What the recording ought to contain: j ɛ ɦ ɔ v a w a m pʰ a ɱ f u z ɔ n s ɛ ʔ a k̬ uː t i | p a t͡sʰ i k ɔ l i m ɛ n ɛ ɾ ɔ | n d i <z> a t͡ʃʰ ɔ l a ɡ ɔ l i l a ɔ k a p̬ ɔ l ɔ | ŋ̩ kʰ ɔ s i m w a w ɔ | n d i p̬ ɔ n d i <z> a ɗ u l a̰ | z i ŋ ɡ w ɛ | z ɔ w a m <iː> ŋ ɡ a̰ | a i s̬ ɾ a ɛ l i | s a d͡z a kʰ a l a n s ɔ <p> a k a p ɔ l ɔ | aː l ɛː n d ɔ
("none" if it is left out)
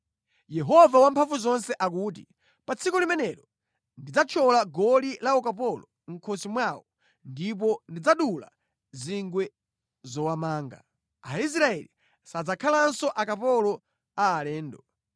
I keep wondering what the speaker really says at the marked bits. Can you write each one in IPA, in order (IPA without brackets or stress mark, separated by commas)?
d͡z, d͡z, aː, ʔ